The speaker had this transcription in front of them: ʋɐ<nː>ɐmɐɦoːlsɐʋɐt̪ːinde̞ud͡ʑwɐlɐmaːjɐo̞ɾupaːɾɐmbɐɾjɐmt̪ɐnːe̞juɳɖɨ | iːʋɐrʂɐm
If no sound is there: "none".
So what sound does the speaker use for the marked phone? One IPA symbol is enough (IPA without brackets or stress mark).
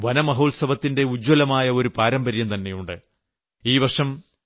n